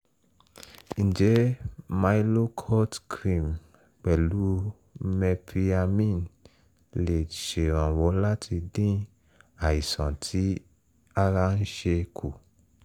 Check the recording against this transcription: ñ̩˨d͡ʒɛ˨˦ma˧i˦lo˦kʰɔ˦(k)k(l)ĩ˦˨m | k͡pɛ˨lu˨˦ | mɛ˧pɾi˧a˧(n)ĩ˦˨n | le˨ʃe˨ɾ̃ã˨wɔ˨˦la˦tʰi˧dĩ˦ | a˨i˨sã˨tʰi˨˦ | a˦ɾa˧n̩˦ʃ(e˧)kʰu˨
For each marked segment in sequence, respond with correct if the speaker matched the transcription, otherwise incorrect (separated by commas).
incorrect, incorrect, incorrect, correct